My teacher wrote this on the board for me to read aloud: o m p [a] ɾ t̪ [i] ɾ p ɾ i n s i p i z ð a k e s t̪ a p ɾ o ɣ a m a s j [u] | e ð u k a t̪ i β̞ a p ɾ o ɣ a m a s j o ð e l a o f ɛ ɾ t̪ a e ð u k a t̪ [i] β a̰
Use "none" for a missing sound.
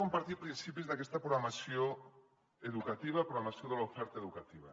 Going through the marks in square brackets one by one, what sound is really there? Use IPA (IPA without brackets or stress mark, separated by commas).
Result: a, i, o, i